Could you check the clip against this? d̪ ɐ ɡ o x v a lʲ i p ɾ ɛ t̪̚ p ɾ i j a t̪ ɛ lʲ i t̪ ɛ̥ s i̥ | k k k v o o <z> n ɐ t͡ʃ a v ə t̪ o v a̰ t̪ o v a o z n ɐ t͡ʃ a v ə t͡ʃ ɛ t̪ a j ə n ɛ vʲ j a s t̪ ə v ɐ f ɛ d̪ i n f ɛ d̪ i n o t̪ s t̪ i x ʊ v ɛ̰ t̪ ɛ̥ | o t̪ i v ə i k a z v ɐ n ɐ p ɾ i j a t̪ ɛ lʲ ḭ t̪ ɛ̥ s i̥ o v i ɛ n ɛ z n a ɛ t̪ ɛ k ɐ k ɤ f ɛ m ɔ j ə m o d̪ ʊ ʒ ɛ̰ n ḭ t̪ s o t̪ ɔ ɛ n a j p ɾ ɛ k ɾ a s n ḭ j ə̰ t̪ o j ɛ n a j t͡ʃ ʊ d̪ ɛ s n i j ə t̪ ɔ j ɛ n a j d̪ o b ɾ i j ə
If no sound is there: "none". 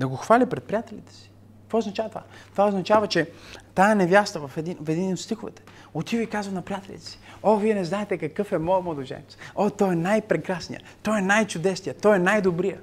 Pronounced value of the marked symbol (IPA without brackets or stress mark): z